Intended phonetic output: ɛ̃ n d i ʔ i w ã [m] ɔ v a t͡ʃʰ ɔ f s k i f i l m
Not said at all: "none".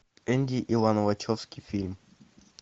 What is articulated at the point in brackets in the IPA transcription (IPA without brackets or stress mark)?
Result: n